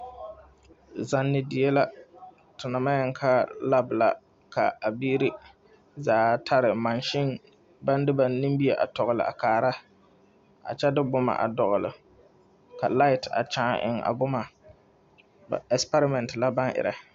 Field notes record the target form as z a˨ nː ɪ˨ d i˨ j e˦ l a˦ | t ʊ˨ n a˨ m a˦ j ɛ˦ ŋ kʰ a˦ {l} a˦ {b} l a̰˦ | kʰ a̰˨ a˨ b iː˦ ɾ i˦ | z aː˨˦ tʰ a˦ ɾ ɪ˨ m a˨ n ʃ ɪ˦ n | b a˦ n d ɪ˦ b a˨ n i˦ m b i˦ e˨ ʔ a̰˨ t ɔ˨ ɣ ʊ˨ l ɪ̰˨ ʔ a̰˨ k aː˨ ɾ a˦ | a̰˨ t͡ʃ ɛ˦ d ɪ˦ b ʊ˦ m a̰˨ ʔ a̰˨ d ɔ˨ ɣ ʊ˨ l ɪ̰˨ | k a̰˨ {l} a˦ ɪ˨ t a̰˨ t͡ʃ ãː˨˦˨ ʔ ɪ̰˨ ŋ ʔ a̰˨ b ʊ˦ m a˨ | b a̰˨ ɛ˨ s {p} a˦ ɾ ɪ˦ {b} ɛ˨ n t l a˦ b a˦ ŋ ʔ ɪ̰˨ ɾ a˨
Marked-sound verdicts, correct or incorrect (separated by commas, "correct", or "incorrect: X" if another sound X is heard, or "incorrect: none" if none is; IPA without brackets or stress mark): correct, correct, correct, correct, incorrect: m